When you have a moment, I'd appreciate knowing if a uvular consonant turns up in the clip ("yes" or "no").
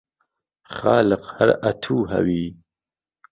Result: yes